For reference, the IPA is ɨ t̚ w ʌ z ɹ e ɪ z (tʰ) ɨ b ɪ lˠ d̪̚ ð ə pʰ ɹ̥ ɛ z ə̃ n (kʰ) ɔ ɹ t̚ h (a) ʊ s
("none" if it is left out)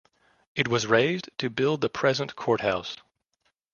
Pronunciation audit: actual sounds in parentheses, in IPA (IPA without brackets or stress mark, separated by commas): tʰ, kʰ, a